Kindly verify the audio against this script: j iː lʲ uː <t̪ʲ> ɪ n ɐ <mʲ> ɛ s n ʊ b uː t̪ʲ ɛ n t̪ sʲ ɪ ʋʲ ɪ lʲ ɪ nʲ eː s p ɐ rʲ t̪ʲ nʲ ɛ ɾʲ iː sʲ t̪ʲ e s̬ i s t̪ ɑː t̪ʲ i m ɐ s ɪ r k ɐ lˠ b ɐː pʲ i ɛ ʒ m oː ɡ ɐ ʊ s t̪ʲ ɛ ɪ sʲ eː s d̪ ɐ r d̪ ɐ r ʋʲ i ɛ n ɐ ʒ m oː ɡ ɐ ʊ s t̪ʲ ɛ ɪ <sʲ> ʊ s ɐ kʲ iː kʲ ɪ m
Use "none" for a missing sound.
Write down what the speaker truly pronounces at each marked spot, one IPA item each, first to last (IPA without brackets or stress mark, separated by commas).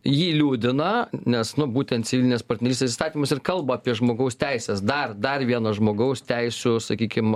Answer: d̪ʲ, nʲ, sʲ